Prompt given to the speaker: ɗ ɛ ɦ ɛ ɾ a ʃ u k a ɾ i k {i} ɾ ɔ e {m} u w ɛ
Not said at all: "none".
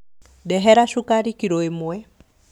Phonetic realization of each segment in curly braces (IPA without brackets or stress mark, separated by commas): i, m